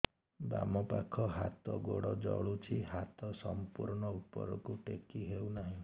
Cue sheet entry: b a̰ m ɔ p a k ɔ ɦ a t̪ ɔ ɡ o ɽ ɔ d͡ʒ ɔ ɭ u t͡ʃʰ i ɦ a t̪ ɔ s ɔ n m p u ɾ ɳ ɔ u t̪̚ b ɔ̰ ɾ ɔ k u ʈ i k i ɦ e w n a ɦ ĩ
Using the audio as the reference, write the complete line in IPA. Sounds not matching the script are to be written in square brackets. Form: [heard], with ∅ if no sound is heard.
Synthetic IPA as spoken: b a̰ m ɔ p a [kʰ] ɔ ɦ a t̪ ɔ ɡ o ɽ ɔ d͡ʒ ɔ ɭ u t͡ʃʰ i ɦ a t̪ ɔ s ɔ [∅] m p u ɾ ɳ ɔ u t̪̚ [p] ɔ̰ ɾ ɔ k u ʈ [e] k i ɦ e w n a ɦ ĩ

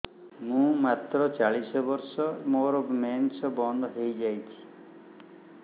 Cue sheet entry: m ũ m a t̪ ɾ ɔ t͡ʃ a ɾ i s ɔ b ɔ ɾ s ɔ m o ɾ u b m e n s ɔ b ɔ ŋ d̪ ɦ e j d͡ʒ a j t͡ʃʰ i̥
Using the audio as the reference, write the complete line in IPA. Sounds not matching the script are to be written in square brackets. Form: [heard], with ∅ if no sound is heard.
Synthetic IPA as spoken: m ũ m a t̪ ɾ ɔ t͡ʃ a [ɭ] i s ɔ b ɔ ɾ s ɔ m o ɾ [ɔ] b m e n s ɔ b ɔ [n] d̪ ɦ e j d͡ʒ a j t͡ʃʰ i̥

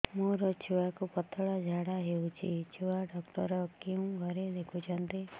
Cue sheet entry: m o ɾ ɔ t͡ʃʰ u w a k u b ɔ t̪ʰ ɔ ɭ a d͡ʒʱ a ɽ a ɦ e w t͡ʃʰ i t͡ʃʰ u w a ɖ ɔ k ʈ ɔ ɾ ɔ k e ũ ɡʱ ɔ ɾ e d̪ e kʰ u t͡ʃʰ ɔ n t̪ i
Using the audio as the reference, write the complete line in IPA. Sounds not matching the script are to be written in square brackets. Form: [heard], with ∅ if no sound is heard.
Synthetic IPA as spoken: m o ɾ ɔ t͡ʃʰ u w a k u [p] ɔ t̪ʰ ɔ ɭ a d͡ʒʱ a ɽ a ɦ e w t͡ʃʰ i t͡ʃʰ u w a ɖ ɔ k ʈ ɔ ɾ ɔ k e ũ ɡʱ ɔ ɾ e d̪ e kʰ u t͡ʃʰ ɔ n t̪ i

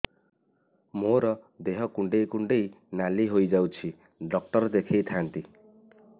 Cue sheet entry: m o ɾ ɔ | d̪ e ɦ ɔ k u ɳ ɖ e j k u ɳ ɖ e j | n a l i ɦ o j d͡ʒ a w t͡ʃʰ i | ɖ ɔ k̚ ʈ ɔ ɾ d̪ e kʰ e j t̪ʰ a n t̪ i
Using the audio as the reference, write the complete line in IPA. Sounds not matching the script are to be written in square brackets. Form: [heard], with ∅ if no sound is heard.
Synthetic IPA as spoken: m o ɾ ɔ | d̪ e ɦ ɔ k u ɳ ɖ e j k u ɳ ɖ e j | n a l i ɦ o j d͡ʒ a w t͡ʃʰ i | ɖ ɔ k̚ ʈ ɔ ɾ d̪ e kʰ e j t̪ʰ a n t̪ i

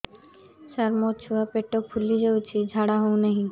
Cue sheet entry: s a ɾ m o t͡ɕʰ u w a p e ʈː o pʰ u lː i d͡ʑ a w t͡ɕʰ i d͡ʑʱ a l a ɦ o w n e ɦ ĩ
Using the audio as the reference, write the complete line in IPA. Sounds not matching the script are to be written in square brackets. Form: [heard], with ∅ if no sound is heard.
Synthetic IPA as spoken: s a ɾ m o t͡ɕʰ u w a p e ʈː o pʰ u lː i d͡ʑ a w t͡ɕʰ i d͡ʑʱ a [ɽ] a ɦ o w n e ɦ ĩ

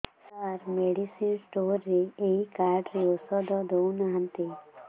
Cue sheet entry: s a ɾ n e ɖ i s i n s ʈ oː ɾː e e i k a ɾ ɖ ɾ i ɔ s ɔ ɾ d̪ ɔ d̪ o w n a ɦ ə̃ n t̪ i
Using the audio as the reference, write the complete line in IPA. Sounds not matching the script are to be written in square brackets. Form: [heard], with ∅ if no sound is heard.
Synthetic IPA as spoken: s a ɾ [m] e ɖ i s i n s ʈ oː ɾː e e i k a ɾ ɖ ɾ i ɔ s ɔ [∅] d̪ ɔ d̪ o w n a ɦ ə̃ n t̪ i

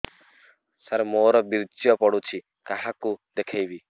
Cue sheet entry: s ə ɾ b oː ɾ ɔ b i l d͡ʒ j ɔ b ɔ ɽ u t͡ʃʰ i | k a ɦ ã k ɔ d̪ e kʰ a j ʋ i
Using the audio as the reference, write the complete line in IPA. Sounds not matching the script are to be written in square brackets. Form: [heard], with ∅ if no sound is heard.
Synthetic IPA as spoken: s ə ɾ [m] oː ɾ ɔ b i [ɾ] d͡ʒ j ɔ [p] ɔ ɽ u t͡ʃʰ i | k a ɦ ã k [u] d̪ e kʰ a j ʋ i

